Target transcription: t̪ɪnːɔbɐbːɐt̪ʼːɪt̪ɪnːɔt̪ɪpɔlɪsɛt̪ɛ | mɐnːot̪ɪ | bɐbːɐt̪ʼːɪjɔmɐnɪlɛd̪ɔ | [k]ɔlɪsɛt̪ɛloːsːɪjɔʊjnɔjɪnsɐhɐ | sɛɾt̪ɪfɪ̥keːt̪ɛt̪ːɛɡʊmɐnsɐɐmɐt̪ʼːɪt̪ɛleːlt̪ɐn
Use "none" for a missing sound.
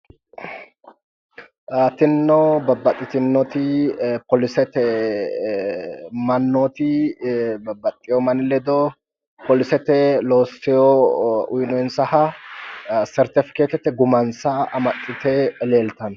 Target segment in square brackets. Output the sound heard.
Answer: p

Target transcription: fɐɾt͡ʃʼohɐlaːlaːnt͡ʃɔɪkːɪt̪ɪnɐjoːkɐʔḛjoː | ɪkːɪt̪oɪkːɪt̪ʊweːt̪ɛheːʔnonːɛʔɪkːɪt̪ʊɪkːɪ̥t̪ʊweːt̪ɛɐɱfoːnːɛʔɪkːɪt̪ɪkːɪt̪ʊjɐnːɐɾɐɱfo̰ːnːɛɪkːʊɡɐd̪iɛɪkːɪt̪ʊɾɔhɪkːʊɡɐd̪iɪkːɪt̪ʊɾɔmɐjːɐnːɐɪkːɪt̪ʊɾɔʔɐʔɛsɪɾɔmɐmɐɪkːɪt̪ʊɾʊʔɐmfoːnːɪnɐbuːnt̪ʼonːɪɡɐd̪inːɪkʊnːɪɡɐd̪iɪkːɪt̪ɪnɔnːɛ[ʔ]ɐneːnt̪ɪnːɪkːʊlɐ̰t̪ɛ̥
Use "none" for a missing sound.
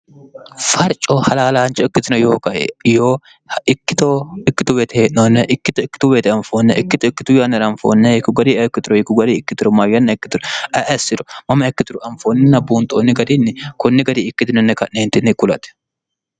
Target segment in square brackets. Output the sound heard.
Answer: k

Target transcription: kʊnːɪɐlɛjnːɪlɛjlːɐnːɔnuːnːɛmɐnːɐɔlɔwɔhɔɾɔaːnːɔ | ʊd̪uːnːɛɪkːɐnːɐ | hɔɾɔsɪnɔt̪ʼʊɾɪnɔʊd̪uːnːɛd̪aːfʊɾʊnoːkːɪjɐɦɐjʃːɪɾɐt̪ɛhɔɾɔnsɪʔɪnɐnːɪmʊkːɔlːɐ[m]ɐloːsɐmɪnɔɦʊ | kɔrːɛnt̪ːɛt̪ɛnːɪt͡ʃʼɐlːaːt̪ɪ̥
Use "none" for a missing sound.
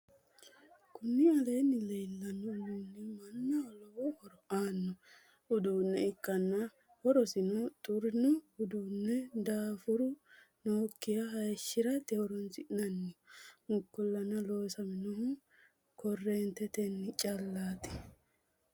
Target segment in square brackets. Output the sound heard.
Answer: n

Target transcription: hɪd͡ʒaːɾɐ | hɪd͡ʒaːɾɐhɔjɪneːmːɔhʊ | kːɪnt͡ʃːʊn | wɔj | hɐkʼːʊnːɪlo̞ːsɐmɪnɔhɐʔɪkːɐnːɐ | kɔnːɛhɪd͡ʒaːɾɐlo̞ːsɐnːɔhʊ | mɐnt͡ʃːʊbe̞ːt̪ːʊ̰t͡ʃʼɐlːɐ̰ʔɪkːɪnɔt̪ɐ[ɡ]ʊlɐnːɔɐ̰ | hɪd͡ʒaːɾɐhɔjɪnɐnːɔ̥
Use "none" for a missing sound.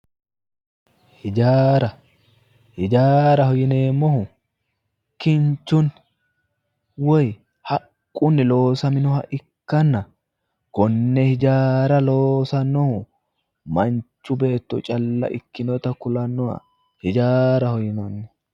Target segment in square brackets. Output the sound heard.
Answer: k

